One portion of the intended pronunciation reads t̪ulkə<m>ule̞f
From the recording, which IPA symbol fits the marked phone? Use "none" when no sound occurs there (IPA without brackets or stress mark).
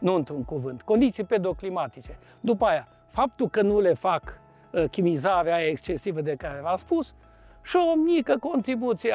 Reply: n